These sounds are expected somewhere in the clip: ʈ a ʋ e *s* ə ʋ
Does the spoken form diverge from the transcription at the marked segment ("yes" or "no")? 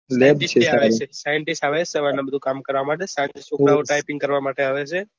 no